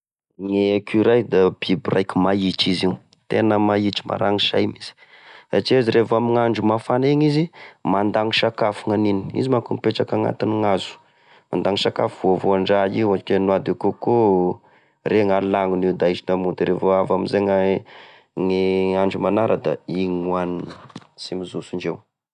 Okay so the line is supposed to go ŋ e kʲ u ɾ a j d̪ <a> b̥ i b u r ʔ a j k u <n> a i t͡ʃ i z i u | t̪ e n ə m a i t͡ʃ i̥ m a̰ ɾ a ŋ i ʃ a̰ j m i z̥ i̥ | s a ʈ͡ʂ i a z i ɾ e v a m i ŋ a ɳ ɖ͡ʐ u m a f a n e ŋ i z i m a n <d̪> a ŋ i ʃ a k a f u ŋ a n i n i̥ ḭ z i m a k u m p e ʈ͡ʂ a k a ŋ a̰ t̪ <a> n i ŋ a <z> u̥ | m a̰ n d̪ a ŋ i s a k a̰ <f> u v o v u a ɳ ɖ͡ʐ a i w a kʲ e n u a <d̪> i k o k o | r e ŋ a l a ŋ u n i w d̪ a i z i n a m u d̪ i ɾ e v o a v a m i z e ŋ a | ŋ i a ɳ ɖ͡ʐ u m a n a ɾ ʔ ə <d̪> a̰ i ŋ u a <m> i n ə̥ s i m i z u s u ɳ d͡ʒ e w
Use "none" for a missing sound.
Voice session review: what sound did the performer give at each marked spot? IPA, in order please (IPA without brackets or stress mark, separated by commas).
a, m, d̪, i, z, f, d̪, d̪, n